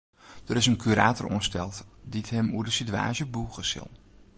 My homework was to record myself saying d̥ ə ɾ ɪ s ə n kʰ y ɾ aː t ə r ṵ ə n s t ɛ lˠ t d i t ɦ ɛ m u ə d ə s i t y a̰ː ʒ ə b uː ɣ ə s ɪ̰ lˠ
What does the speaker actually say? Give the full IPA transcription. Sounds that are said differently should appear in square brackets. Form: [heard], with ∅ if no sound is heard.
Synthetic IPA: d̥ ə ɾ ɪ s ə n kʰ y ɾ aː t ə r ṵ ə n s t ɛ lˠ t d i t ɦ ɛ m u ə d ə s i t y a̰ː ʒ ə b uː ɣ ə s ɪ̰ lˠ